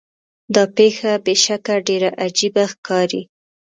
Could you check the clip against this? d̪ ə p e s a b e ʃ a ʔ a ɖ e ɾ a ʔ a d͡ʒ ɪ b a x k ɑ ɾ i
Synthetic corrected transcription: d̪ ɑ p e x a b e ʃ a k a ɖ e ɾ a ʔ a d͡ʒ i b a x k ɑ ɾ i

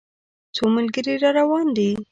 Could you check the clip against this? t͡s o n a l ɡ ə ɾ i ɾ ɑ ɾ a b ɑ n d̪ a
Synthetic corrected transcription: t͡s o m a l ɡ ə ɾ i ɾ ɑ ɾ a w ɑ n d̪ i

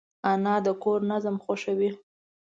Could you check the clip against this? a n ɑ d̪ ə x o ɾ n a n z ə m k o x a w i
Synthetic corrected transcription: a n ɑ d̪ ə k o ɾ n a z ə m x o ʃ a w i

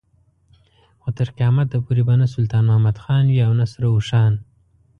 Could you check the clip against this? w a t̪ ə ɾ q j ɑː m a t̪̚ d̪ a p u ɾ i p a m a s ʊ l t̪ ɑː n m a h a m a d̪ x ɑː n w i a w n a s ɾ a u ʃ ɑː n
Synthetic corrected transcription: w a t̪ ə ɾ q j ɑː m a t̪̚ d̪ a p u ɾ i b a n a s ʊ l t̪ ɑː n m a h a m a d̪ x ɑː n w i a w n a s ɾ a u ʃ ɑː n

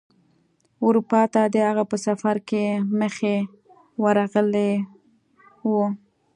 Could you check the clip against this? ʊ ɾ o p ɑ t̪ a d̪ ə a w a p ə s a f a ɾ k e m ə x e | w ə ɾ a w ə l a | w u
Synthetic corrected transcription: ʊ ɾ u p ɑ t̪ a d̪ ə a ɣ a p ə s a f a ɾ k e m ə x e | w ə ɾ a ɣ ə l e | w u

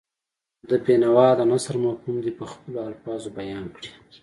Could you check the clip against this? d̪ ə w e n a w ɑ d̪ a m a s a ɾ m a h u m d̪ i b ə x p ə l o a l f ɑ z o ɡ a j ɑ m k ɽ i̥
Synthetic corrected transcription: d̪ ə b e n a w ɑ d̪ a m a s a ɾ m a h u m d̪ i p ə x p ə l o a l f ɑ z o b a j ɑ n k ɽ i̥

